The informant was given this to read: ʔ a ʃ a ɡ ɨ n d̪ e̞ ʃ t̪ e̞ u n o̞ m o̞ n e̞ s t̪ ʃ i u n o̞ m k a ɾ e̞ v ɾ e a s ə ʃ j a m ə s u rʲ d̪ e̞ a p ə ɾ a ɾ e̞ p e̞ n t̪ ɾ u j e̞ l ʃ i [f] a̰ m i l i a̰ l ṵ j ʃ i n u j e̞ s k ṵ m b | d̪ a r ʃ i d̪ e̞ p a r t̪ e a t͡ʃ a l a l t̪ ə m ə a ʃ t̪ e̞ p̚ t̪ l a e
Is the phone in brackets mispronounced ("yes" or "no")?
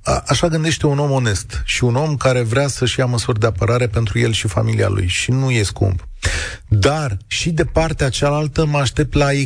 no